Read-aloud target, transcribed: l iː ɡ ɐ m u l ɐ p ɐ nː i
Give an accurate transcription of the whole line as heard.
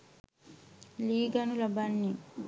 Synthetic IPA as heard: l iː ɡ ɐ n u l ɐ b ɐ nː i